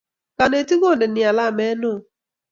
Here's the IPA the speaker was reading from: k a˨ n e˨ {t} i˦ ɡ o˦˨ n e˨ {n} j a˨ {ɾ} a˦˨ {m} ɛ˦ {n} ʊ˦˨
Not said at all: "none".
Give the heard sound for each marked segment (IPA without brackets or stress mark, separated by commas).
t, n, l, m, n